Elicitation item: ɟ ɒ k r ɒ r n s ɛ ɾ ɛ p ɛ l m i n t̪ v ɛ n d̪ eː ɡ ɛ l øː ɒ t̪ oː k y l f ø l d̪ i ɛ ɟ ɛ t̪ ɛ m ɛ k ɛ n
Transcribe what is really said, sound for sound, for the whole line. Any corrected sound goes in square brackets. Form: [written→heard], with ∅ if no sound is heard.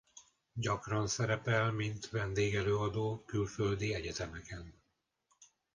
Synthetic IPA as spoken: ɟ ɒ k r ɒ [r→∅] n s ɛ ɾ ɛ p ɛ l m i n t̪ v ɛ n d̪ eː ɡ ɛ l øː ɒ [t̪→d̪] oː k y l f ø l d̪ i ɛ ɟ ɛ t̪ ɛ m ɛ k ɛ n